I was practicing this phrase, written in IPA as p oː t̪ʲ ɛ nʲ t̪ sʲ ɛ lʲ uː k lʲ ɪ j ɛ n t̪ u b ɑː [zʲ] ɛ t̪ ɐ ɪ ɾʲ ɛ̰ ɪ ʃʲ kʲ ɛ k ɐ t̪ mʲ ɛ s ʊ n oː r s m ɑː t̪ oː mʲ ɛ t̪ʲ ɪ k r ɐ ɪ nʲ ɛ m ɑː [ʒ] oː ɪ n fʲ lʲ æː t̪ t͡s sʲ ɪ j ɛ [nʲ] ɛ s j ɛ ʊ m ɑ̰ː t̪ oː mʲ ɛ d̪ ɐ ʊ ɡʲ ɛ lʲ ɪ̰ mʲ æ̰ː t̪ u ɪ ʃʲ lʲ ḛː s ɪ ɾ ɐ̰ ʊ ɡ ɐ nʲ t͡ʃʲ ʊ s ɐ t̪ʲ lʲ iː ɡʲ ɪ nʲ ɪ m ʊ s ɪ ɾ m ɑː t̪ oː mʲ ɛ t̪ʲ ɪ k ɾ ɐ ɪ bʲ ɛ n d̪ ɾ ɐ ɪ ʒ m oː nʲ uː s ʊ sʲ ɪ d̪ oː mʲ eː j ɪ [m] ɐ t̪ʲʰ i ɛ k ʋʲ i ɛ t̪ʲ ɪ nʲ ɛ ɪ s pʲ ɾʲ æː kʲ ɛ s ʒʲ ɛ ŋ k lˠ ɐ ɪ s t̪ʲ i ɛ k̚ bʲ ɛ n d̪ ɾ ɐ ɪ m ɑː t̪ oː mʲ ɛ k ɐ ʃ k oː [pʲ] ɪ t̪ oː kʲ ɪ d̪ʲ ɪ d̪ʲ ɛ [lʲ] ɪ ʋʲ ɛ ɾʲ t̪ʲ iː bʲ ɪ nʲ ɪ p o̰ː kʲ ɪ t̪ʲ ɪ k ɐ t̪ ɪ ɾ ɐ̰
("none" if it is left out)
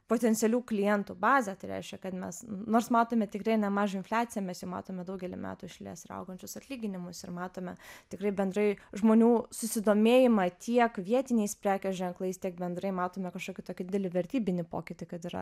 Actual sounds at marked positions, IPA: zʲ, ʒ, mʲ, m, kʲ, lʲ

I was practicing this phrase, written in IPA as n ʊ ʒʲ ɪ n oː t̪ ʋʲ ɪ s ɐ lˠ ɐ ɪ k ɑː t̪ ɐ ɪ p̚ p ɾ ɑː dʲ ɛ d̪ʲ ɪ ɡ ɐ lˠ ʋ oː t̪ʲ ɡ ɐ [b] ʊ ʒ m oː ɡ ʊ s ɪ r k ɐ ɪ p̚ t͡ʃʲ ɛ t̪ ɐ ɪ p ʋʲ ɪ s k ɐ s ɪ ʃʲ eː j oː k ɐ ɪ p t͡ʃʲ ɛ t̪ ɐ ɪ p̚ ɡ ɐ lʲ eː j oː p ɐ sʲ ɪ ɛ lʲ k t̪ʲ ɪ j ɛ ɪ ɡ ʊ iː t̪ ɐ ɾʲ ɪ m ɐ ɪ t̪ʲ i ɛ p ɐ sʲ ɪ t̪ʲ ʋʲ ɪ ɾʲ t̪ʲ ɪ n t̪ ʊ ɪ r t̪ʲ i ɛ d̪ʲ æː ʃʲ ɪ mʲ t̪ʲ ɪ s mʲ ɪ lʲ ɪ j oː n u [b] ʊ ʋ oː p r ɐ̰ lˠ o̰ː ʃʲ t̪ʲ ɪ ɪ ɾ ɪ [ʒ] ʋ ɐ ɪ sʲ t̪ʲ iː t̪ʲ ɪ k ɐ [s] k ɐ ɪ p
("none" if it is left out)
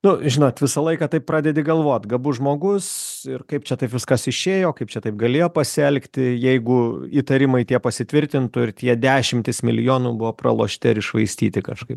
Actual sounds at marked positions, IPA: b, b, ʃ, ʃ

